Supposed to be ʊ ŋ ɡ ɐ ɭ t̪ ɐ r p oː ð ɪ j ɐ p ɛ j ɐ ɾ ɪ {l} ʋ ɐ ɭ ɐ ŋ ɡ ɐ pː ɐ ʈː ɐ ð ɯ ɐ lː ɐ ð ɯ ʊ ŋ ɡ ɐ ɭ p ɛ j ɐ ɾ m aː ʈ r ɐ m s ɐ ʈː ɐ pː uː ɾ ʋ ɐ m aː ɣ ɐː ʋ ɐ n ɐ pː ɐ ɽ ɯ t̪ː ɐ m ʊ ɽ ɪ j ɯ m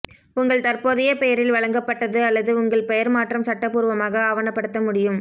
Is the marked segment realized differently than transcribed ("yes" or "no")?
no